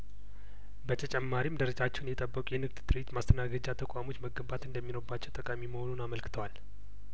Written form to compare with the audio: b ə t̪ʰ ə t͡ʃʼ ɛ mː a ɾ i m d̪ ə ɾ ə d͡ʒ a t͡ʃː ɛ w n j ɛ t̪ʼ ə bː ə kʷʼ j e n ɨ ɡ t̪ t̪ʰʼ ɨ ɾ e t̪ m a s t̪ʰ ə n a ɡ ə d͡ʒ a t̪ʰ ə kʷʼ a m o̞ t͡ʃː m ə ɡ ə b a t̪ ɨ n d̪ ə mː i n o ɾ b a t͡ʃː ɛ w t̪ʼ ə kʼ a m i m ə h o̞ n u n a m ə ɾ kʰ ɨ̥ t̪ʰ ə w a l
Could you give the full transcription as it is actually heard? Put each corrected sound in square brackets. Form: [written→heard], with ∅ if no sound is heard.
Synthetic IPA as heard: b ə t̪ʰ ə t͡ʃʼ ɛ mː a ɾ i m d̪ ə ɾ ə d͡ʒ a t͡ʃː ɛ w n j ɛ t̪ʼ ə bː ə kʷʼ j [e→ɛ] n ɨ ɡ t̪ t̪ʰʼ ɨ ɾ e t̪ m a s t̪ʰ ə n a ɡ ə d͡ʒ a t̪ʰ ə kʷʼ a m o̞ t͡ʃː m ə ɡ ə b a t̪ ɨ n d̪ ə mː i n o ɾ b a t͡ʃː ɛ w t̪ʼ ə kʼ a m i m ə h o̞ n u n a m ə [ɾ→l] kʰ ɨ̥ t̪ʰ ə w a l